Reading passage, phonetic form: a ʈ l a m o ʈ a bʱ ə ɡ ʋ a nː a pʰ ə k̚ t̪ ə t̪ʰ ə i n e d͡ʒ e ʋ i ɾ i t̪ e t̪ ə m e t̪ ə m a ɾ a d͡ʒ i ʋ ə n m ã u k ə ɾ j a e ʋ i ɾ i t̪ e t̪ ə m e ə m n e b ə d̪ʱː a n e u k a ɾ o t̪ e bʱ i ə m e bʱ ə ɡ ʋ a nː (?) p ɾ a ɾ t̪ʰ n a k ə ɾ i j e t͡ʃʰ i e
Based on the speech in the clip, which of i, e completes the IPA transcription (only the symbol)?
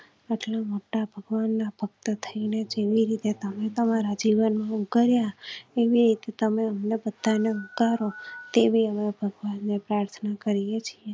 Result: e